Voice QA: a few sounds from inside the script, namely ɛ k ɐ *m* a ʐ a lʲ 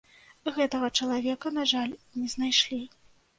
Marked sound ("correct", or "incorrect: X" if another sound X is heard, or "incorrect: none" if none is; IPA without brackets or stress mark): incorrect: n